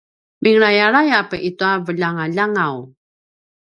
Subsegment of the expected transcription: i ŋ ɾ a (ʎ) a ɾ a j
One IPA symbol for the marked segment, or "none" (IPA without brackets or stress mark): j